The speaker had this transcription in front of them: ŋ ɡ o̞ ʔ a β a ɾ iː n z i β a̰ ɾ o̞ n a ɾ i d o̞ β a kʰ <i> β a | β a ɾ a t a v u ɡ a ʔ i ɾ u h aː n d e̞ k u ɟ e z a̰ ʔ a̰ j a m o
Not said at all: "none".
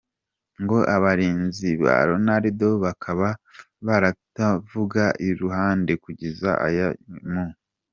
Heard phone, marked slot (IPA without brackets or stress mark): a